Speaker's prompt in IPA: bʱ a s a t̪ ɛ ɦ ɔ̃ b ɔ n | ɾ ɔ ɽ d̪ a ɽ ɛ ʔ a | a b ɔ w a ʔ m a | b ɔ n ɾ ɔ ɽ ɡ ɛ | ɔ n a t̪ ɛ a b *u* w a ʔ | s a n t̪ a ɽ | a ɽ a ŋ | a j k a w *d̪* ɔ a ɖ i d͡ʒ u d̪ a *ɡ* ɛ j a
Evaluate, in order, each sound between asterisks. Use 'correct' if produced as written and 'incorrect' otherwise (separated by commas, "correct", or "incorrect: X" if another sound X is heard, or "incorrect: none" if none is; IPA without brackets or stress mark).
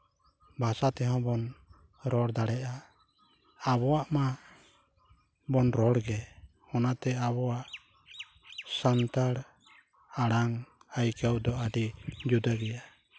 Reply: incorrect: ɔ, correct, correct